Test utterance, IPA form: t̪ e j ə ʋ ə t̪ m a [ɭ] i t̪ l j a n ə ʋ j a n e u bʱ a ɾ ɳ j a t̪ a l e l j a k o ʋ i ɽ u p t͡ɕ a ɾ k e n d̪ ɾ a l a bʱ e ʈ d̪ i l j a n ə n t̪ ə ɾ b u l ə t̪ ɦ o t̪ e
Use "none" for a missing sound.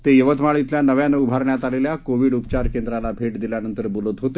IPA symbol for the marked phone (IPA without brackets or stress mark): ɭ